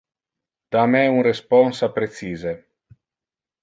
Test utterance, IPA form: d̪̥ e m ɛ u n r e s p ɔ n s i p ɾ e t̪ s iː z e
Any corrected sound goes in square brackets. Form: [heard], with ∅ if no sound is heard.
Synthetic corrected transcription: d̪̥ [a] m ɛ u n r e s p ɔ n s [a] p ɾ e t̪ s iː z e